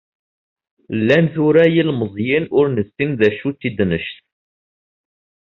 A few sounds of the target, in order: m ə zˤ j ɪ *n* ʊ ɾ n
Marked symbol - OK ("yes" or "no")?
yes